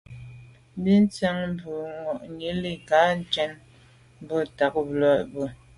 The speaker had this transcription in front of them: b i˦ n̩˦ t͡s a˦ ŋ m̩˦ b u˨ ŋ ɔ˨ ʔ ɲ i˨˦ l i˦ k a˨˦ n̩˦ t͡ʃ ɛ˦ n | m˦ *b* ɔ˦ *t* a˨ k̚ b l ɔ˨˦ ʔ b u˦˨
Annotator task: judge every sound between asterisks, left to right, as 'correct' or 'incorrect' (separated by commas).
correct, correct